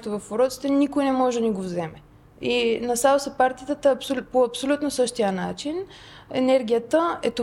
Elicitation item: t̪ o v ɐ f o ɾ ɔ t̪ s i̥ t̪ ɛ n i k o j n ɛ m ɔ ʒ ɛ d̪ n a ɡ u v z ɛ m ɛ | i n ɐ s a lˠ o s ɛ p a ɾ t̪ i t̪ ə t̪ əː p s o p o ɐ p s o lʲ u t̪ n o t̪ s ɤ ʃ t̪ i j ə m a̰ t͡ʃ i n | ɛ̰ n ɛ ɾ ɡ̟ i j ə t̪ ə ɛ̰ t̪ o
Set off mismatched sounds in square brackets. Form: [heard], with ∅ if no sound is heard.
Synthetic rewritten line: t̪ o v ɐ f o ɾ ɔ t̪ s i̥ t̪ ɛ n i k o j n ɛ m ɔ ʒ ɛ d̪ n [i] ɡ [o] v z ɛ m ɛ | i n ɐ s a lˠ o s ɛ p a ɾ t̪ i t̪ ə t̪ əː p s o p o ɐ p s o lʲ u t̪ n o [∅] s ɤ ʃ t̪ i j ə [n] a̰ t͡ʃ i n | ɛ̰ n ɛ ɾ ɡ̟ i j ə t̪ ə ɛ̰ t̪ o